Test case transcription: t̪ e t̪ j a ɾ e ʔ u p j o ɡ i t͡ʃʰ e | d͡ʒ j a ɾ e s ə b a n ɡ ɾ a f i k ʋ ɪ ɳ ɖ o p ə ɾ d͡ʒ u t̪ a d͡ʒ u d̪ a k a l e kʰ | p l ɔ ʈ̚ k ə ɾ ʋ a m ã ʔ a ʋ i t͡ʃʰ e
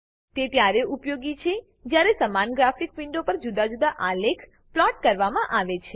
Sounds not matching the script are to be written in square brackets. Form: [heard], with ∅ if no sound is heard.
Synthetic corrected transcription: t̪ e t̪ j a ɾ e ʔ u p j o ɡ i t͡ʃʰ e | d͡ʒ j a ɾ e s ə [m] a n ɡ ɾ a f i k ʋ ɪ ɳ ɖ o p ə ɾ d͡ʒ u [d̪] a d͡ʒ u d̪ a [ʔ] a l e kʰ | p l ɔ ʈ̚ k ə ɾ ʋ a m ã ʔ a ʋ [e] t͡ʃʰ e